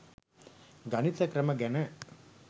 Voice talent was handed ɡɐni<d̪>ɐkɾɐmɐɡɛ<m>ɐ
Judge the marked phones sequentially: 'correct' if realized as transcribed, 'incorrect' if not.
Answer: incorrect, incorrect

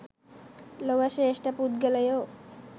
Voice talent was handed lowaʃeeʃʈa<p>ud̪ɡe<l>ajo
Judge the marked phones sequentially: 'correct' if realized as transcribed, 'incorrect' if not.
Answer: correct, correct

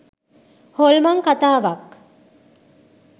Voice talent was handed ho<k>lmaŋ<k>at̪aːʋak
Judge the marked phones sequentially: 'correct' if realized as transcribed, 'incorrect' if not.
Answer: incorrect, correct

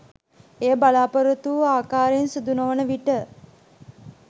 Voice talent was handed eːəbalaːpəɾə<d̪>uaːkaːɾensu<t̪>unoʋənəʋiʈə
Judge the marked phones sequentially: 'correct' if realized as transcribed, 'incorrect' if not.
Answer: incorrect, incorrect

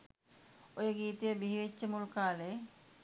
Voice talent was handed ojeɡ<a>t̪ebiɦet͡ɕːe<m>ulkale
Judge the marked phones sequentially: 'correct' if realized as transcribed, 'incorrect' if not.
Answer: incorrect, correct

